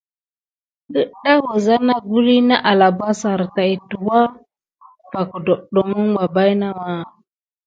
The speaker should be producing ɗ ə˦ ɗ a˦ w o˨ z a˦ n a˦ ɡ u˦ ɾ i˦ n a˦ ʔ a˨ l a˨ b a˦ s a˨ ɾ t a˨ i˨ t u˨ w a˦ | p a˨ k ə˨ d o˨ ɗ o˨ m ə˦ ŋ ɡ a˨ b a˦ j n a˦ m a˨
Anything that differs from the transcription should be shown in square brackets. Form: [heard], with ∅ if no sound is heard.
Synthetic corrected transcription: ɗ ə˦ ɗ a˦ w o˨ z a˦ n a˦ ɡ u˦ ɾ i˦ n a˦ ʔ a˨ l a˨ b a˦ s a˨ ɾ t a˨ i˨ t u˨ w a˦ | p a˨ k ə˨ d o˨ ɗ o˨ m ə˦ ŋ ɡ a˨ b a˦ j n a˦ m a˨